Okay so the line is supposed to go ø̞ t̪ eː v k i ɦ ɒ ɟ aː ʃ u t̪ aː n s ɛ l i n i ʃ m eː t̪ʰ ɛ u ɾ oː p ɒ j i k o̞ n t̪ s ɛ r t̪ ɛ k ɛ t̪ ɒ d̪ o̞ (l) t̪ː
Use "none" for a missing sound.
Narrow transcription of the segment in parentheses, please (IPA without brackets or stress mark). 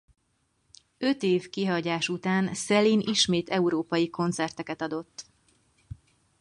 none